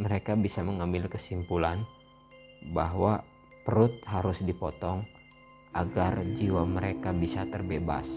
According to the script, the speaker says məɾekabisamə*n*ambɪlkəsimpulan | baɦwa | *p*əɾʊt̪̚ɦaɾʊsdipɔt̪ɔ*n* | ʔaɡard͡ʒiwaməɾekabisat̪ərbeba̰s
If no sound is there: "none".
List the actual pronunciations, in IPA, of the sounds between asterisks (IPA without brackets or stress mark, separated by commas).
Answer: ŋ, p, ŋ